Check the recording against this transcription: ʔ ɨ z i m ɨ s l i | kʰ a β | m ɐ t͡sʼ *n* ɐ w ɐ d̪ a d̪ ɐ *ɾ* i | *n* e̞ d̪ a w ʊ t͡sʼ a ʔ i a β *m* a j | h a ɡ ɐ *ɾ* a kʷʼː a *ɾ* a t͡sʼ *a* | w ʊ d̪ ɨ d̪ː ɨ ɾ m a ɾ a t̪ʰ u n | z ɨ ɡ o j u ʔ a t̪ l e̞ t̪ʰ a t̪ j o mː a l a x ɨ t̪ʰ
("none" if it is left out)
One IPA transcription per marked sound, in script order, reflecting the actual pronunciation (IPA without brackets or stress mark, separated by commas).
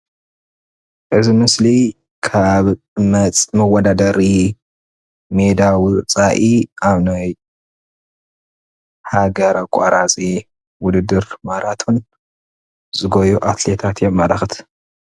m, ɾ, m, n, ɾ, ɾ, i